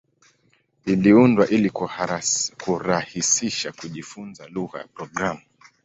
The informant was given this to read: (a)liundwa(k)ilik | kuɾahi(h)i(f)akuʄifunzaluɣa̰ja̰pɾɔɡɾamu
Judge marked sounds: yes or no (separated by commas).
no, no, no, no